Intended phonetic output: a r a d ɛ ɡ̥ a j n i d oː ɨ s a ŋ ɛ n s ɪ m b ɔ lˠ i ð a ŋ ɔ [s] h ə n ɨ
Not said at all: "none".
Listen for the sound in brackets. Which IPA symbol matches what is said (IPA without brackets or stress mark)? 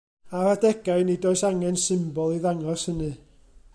s